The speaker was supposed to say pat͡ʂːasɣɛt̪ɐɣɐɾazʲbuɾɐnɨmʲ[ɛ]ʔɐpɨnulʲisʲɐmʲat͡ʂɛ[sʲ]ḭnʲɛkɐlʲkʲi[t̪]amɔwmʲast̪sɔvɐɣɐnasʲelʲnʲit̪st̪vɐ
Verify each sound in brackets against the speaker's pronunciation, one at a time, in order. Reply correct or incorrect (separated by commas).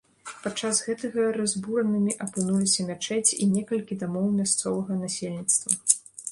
incorrect, incorrect, incorrect